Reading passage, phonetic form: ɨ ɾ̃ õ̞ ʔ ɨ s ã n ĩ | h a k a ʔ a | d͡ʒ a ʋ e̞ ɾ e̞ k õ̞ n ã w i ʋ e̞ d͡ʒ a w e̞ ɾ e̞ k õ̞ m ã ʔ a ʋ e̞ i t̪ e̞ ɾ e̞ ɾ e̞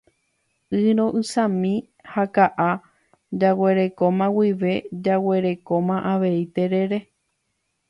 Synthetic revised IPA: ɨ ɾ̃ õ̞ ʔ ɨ s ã m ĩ | h a k a ʔ a | d͡ʒ a w e̞ ɾ e̞ k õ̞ m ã w i ʋ e̞ d͡ʒ a w e̞ ɾ e̞ k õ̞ m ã ʔ a ʋ e̞ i t̪ e̞ ɾ e̞ ɾ e̞